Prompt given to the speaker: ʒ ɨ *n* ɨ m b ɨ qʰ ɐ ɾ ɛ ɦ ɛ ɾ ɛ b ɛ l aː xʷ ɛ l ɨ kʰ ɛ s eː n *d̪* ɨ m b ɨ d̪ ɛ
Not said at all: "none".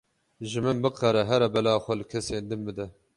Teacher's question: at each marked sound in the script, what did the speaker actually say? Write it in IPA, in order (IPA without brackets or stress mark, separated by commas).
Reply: m, d̪